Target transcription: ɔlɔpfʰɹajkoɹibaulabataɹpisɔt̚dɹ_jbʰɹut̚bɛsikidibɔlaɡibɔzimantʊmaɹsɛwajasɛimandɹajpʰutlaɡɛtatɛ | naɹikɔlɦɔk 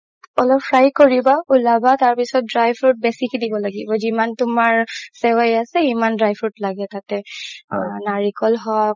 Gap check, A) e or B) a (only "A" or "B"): B